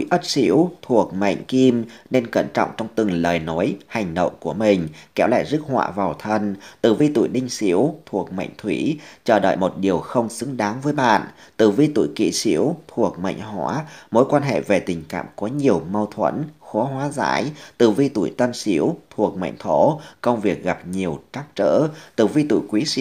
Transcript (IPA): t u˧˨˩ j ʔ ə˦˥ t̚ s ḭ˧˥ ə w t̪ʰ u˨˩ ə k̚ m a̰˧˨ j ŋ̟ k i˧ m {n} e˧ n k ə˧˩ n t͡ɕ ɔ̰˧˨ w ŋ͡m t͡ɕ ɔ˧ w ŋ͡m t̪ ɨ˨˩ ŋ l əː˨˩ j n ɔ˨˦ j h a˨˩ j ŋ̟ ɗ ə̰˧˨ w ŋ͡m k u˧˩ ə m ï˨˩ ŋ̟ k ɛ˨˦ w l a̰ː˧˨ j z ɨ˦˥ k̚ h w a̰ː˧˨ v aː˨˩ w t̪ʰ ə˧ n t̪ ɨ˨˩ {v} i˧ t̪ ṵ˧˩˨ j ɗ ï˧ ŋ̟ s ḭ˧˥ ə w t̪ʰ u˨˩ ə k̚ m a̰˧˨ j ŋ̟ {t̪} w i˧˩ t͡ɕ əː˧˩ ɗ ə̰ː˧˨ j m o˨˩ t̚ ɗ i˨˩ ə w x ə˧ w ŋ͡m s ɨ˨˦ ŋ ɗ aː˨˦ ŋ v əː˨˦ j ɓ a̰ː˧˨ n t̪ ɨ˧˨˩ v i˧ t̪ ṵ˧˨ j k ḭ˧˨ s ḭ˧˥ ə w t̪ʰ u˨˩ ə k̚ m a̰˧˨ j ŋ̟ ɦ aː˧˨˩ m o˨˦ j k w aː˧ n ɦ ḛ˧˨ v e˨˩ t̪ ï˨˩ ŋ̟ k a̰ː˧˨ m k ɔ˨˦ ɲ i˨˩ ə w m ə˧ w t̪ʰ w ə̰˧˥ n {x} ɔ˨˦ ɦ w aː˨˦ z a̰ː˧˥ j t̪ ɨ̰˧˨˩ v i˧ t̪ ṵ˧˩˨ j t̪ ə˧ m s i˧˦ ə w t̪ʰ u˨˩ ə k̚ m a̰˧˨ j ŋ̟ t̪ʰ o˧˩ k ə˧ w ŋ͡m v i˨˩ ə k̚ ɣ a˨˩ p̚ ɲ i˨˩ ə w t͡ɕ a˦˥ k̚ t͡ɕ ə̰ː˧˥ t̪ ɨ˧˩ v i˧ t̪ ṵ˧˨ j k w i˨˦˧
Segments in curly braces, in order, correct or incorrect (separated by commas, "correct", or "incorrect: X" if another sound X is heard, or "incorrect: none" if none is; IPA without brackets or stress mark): correct, correct, incorrect: t̪ʰ, correct